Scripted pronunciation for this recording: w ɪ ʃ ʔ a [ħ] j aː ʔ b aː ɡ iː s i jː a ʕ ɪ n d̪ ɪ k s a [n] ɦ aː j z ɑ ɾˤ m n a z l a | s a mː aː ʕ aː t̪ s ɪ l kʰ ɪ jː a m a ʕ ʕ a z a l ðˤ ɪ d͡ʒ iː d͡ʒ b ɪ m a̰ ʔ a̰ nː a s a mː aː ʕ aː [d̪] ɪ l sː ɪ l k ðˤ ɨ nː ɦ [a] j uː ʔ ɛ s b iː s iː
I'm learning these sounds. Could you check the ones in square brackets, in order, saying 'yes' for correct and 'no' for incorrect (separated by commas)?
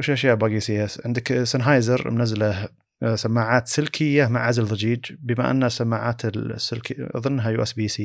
no, yes, no, yes